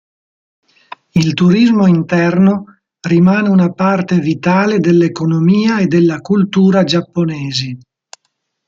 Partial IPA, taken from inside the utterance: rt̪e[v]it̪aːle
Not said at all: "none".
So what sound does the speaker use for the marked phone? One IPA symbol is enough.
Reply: v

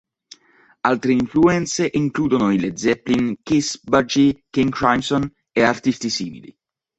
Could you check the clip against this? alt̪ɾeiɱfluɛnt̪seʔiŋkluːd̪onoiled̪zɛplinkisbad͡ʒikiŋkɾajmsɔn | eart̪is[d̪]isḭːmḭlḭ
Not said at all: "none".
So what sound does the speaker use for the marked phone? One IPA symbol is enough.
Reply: t̪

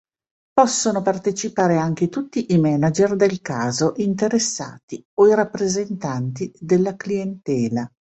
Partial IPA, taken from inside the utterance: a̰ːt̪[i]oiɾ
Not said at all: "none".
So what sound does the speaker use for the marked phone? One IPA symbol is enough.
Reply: i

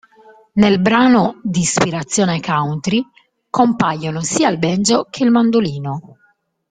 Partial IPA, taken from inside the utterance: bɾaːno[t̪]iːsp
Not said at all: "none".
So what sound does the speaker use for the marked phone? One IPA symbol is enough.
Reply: d̪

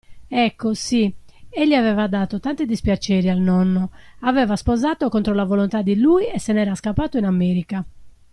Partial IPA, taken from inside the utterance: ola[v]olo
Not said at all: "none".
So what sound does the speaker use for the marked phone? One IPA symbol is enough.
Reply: v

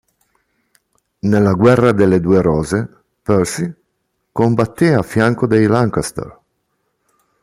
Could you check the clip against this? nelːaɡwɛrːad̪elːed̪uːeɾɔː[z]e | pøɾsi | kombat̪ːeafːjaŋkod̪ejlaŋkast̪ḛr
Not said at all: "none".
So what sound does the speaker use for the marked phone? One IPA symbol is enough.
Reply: z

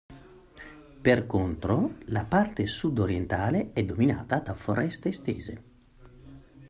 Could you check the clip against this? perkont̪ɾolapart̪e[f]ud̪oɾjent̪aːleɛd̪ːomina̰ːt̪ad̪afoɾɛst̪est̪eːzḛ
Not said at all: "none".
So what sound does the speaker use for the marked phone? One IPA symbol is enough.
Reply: s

